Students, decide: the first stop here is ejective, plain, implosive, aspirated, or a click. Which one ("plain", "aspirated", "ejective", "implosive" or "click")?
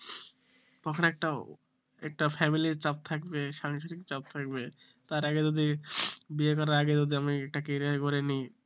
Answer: plain